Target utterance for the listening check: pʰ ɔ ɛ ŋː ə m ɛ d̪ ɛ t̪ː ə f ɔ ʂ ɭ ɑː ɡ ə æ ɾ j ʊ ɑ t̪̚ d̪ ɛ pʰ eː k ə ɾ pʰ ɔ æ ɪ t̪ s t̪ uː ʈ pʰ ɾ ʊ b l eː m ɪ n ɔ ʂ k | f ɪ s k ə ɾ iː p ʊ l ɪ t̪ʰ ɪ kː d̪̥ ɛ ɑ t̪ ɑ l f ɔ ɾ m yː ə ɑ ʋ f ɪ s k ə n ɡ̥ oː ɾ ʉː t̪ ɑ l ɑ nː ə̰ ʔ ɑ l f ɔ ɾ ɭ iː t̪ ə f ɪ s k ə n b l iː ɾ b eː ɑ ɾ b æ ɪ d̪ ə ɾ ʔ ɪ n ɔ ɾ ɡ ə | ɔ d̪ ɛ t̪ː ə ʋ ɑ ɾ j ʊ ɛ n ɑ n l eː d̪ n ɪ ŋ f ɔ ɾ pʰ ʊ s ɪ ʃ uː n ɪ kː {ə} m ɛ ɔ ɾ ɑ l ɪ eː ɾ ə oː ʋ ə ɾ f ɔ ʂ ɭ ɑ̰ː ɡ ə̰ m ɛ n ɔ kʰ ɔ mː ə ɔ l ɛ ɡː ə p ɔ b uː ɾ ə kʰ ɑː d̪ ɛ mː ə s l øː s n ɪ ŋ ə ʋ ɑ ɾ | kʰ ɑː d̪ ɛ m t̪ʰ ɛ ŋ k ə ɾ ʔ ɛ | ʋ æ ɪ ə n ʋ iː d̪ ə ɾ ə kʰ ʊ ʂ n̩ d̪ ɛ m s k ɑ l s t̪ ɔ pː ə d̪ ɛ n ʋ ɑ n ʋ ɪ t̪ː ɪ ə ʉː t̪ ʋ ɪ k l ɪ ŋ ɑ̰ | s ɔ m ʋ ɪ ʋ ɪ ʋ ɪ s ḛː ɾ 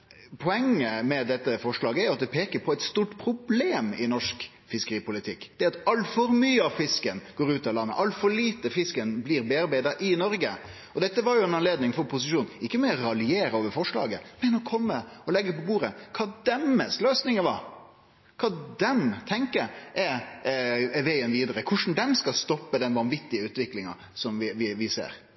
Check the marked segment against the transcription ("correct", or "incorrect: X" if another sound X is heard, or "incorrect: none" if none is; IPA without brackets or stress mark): correct